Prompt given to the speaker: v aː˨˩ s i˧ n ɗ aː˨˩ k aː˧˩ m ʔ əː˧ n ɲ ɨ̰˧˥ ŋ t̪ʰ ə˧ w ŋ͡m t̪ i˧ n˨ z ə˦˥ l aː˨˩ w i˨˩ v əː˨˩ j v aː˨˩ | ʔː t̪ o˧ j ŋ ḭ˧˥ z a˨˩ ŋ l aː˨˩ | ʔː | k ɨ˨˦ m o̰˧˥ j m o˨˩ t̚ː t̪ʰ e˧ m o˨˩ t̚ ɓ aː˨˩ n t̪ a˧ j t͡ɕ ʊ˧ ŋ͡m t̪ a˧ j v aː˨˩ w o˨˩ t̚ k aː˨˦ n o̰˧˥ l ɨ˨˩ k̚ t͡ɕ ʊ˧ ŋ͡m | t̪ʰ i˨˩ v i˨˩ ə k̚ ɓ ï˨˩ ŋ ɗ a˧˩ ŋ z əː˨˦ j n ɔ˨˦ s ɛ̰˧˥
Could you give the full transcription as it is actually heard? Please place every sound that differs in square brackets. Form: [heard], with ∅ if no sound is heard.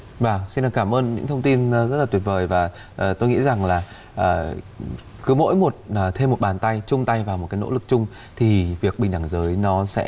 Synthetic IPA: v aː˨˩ s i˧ n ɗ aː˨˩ k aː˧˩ m ʔ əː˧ n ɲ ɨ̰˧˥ ŋ t̪ʰ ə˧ w ŋ͡m t̪ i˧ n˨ z ə˦˥ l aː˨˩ w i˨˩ v əː˨˩ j v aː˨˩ | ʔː t̪ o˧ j ŋ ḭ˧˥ z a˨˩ ŋ l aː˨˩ | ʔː | k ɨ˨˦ m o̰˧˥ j m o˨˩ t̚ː t̪ʰ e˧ m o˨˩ t̚ ɓ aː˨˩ n t̪ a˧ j t͡ɕ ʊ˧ ŋ͡m t̪ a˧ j v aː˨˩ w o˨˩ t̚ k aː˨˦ n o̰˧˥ l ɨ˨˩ k̚ t͡ɕ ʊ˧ ŋ͡m | t̪ʰ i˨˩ v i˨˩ ə k̚ ɓ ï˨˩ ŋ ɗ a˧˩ ŋ z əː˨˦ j n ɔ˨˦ s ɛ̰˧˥